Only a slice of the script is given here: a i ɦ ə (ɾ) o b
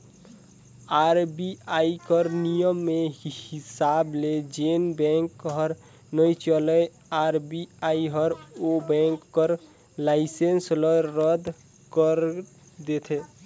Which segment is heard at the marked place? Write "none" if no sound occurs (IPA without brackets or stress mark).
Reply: ɾ